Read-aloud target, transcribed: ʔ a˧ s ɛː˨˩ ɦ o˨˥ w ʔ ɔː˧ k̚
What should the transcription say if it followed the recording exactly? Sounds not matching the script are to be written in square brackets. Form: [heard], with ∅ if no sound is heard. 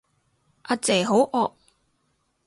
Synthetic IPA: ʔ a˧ [t͡s] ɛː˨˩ ɦ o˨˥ w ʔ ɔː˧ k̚